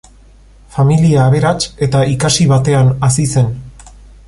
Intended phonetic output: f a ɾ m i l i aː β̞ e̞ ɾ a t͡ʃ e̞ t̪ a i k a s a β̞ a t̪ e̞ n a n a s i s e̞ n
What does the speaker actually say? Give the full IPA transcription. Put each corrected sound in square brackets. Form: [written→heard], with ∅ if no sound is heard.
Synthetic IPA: f a [ɾ→∅] m i l i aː β̞ e̞ ɾ a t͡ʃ e̞ t̪ a i k a s [a→i] β̞ a t̪ e̞ [n→∅] a n a s i s e̞ n